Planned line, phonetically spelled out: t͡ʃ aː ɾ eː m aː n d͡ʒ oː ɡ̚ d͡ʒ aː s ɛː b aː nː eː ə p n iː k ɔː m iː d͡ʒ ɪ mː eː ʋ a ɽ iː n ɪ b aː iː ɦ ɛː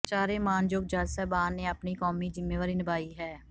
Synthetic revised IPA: t͡ʃ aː ɾ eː m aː n d͡ʒ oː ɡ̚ d͡ʒ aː s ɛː b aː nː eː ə p n iː k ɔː m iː d͡ʒ ɪ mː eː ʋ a ɾ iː n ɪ b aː iː ɦ ɛː